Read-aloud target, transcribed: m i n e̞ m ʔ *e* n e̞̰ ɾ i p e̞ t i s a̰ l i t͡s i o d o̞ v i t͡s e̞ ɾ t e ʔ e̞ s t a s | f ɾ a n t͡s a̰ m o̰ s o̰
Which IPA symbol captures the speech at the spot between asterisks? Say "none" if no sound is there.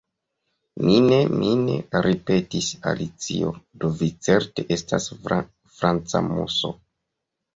i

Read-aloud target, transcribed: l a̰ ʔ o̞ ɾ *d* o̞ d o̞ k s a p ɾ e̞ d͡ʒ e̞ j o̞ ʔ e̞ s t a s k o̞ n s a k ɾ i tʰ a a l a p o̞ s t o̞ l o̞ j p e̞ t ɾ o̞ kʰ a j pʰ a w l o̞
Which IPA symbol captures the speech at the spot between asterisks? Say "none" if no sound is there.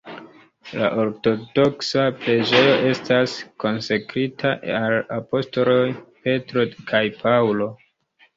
t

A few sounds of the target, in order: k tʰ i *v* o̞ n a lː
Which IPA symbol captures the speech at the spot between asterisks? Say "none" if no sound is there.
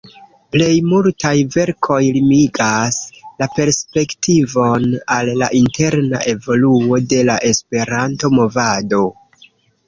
v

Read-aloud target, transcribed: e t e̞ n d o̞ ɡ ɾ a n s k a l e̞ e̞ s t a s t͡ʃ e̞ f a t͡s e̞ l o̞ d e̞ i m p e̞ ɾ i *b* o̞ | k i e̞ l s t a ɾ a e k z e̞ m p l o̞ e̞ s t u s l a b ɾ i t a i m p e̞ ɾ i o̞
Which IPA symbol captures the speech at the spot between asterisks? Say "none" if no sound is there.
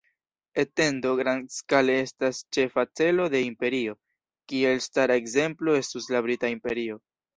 none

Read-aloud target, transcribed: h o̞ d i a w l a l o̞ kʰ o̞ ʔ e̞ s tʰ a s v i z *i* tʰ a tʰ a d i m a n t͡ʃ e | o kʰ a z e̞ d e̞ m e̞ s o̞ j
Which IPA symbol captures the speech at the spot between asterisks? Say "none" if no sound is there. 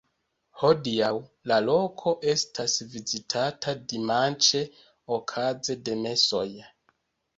i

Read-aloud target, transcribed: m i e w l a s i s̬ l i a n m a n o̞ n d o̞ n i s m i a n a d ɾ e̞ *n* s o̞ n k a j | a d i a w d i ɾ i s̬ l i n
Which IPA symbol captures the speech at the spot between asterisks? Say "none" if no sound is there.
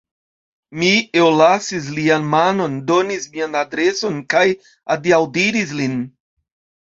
none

